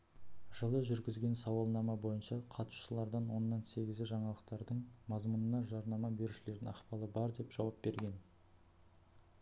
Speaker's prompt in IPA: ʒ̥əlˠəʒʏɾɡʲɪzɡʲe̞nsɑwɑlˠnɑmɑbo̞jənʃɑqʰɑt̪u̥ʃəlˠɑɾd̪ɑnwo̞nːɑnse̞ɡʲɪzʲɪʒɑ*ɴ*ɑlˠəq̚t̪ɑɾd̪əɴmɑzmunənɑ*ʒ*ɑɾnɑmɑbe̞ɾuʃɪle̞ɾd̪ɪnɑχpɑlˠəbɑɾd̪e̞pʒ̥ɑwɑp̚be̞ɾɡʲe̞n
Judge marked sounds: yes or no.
yes, yes

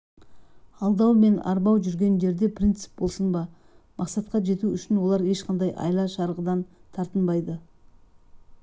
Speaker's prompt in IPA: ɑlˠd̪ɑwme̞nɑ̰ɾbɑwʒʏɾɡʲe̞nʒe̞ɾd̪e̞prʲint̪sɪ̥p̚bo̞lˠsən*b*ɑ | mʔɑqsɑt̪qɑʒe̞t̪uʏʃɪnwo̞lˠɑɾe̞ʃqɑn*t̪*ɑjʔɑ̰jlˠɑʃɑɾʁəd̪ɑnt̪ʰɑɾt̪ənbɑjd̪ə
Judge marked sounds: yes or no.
yes, no

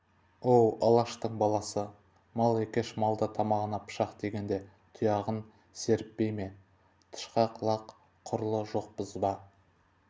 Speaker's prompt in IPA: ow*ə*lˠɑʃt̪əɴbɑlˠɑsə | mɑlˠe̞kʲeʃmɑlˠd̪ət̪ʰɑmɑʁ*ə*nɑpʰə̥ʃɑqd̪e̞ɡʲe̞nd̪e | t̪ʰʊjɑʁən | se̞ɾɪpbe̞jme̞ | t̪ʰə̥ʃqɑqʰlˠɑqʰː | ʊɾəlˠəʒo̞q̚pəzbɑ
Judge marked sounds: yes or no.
no, yes

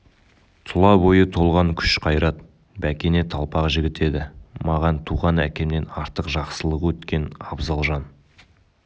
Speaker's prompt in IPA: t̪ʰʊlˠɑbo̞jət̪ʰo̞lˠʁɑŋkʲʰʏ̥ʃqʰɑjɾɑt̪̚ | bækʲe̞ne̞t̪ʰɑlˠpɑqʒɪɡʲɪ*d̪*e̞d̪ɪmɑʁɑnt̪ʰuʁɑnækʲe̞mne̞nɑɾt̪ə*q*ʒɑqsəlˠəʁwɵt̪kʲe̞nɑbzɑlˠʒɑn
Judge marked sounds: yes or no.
no, yes

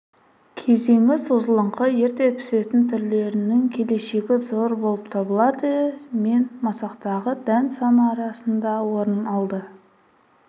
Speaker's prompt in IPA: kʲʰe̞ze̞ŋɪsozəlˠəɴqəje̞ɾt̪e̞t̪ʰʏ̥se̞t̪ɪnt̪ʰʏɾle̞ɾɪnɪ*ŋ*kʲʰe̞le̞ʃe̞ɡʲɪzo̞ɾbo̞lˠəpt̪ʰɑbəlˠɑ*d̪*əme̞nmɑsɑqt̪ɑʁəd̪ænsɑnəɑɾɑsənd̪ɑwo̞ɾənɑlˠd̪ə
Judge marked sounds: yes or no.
yes, yes

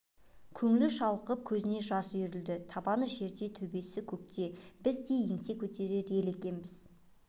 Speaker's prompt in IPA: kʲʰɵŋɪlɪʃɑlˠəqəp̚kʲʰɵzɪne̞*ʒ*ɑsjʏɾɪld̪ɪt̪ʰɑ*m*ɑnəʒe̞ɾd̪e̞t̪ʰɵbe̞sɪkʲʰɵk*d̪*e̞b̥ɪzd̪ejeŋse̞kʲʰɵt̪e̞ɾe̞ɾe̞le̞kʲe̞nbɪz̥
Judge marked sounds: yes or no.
yes, no, no

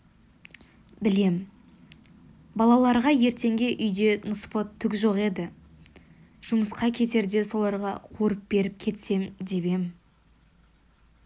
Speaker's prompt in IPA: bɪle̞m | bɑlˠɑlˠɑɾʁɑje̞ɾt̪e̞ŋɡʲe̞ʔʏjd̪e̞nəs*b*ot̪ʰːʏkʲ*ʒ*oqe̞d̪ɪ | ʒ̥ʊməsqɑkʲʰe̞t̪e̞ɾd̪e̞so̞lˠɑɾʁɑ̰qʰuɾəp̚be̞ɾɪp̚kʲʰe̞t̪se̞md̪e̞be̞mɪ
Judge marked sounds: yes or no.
no, yes

